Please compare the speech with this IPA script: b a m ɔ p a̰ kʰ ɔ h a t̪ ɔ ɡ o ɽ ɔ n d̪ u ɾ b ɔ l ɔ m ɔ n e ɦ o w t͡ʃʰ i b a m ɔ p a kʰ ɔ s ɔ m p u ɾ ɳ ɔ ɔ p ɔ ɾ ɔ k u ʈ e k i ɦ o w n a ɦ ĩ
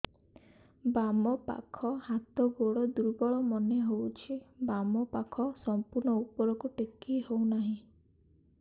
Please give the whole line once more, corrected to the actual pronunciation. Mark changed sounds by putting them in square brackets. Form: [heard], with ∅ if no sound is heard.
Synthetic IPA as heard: b a m ɔ p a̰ kʰ ɔ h a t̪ ɔ ɡ o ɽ ɔ [∅] d̪ u ɾ b ɔ [ɭ] ɔ m ɔ n e ɦ o w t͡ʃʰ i b a m ɔ p a kʰ ɔ s ɔ m p u ɾ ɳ ɔ [u] p ɔ ɾ ɔ k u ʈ e k i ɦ o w n a ɦ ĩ

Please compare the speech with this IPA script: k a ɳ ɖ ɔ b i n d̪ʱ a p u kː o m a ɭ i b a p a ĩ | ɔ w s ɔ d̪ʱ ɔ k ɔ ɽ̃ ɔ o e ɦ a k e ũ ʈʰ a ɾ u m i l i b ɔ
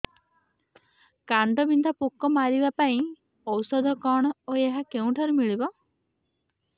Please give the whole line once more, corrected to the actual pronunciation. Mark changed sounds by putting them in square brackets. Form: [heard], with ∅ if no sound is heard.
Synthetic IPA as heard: k a ɳ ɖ ɔ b i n d̪ʱ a p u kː [ɔ] m a [ɾ] i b a p a ĩ | ɔ w s ɔ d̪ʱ ɔ k ɔ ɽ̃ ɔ o e ɦ a k e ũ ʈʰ a ɾ u m i [ɭ] i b ɔ

